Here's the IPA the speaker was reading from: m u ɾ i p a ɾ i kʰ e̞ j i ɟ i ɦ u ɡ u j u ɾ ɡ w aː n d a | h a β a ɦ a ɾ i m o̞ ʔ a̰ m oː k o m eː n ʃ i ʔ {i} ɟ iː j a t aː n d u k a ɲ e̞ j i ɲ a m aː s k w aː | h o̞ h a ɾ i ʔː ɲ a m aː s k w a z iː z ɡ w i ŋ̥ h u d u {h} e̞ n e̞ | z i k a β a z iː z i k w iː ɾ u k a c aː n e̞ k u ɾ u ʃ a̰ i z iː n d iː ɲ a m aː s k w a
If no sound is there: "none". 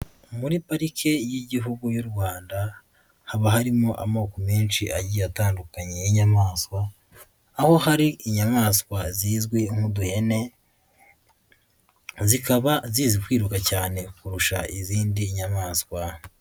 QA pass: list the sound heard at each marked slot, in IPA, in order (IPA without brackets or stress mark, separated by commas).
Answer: a, h